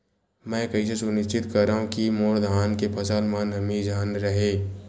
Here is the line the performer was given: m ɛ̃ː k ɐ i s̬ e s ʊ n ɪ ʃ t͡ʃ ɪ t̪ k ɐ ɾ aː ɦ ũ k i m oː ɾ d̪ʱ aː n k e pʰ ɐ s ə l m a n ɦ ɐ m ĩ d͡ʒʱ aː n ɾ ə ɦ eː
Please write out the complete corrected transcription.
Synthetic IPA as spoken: m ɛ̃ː k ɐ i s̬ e s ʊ n ɪ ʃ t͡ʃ ɪ t̪ k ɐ ɾ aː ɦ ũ k i m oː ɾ d̪ʱ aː n k e pʰ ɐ s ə l m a n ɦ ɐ m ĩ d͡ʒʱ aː n ɾ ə ɦ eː